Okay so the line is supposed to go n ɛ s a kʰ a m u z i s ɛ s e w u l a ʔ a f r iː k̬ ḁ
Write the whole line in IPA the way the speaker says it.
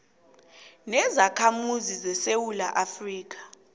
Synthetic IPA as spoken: n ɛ z a kʰ a m u z i z ɛ s e w u l a ʔ a f r iː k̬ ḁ

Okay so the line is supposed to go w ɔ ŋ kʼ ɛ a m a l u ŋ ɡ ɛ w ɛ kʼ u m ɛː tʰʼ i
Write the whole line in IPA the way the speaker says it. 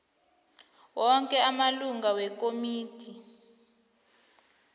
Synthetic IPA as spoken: w ɔ ŋ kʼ ɛ a m a l u ŋ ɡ a w ɛ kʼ o m iː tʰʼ i

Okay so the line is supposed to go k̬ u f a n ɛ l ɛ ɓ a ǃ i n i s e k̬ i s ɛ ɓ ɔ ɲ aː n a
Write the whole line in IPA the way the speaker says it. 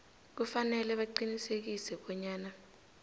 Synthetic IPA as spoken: k̬ u f a n ɛ l ɛ ɓ a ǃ i n i s e k̬ i s ɛ ɓ ɔ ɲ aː n a

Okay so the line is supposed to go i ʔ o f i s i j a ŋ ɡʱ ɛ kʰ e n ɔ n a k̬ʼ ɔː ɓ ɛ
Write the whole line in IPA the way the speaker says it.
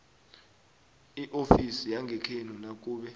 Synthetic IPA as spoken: i ʔ o f i s i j a ŋ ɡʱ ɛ kʰ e n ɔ n a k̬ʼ uː ɓ ɛ

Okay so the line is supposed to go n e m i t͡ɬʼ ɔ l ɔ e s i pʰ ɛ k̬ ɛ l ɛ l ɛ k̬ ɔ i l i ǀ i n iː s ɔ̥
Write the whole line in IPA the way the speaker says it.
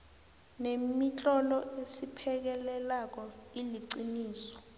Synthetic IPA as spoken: n e m i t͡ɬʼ ɔ l ɔ e s i pʰ ɛ k̬ ɛ l ɛ l a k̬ ɔ i l i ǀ i n iː s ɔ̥

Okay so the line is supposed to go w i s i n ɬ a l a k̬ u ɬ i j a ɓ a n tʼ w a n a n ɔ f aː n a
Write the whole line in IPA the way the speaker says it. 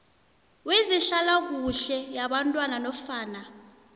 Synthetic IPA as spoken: w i z i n ɬ a l a k̬ u ɬ ɛ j a ɓ a n tʼ w a n a n ɔ f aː n a

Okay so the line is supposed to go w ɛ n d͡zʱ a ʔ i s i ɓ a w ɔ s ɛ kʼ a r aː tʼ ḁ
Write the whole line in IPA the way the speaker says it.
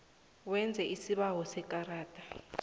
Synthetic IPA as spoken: w ɛ n d͡zʱ ɛ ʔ i s i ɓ a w ɔ s ɛ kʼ a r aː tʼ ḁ

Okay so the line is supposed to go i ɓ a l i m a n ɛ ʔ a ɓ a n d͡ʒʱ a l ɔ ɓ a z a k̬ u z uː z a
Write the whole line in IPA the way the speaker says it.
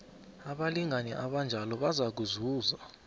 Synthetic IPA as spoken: a ɓ a l i ŋ a n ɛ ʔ a ɓ a n d͡ʒʱ a l ɔ ɓ a z a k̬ u z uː z a

